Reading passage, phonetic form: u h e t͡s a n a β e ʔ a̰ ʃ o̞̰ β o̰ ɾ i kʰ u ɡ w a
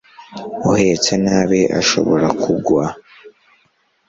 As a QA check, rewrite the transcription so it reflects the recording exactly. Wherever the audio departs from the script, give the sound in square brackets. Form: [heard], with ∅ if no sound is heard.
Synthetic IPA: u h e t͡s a n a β e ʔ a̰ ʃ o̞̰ β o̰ ɾ [a] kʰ u ɡ w a